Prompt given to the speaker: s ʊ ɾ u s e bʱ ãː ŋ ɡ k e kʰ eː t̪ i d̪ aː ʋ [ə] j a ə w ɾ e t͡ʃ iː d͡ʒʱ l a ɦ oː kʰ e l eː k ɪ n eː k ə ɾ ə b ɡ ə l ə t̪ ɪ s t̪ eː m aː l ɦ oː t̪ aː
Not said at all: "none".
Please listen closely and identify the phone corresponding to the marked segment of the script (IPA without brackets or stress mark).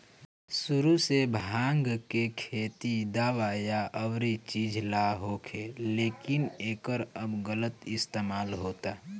a